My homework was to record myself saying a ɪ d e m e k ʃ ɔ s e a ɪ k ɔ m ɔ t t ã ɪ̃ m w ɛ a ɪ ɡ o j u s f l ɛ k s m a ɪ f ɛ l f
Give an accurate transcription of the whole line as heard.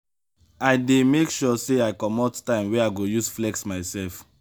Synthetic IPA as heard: a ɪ d e m e k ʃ ɔ s e a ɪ k ɔ m ɔ t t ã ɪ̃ m w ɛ a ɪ ɡ o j u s f l ɛ k s m a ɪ s ɛ l f